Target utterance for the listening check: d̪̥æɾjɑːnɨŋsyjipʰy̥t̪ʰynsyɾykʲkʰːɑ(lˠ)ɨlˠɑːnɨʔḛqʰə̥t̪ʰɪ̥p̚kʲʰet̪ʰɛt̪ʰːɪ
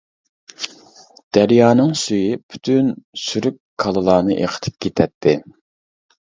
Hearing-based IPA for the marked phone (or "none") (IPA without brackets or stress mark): lˠ